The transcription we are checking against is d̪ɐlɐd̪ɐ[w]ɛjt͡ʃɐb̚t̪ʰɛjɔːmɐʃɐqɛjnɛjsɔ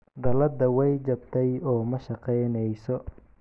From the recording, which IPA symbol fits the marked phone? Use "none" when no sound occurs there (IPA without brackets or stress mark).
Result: w